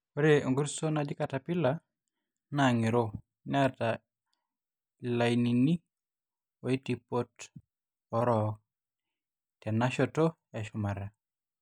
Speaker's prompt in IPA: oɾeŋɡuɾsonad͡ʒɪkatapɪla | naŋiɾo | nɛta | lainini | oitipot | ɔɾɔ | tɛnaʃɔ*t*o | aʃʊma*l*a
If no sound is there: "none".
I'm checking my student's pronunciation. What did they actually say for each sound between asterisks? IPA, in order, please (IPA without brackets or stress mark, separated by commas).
t, ɾ